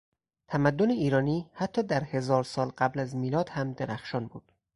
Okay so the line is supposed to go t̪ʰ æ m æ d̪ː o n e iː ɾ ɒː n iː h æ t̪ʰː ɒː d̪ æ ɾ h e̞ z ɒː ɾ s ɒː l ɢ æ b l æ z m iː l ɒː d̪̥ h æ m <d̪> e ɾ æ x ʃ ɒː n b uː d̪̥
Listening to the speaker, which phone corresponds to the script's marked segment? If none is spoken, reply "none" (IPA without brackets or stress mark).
d̪